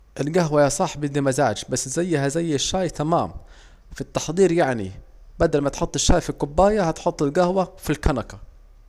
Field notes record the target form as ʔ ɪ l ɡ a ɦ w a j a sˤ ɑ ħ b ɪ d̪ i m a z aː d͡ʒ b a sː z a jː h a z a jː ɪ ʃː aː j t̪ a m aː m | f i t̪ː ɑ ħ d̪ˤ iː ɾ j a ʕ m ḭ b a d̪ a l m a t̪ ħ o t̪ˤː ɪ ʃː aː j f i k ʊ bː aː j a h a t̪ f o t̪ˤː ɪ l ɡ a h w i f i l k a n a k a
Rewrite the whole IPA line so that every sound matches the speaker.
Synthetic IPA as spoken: ʔ ɪ l ɡ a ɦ w a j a sˤ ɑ ħ b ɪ d̪ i m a z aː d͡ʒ b a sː z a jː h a z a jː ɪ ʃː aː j t̪ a m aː m | f i t̪ː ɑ ħ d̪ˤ iː ɾ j a ʕ n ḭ b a d̪ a l m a t̪ ħ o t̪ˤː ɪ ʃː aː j f i k ʊ bː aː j a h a t̪ ħ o t̪ˤː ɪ l ɡ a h w a f i l k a n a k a